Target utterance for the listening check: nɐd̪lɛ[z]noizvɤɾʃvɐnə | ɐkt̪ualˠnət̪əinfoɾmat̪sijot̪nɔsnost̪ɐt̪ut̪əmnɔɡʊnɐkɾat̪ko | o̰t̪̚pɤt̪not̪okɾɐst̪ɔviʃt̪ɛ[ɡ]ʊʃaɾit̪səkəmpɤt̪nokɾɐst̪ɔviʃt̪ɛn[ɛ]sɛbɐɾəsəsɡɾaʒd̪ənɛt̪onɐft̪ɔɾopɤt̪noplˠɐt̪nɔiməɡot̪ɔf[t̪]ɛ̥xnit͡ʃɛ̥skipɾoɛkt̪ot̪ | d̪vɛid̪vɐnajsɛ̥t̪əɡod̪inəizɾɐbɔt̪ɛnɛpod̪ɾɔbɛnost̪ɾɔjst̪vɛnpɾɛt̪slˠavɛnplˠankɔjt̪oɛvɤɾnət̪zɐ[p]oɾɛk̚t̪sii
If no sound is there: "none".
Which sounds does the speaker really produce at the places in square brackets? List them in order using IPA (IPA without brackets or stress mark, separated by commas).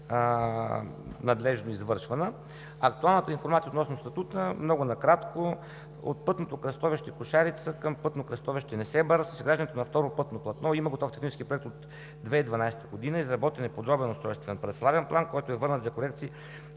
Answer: ʒ, k, ɛ, t̪, k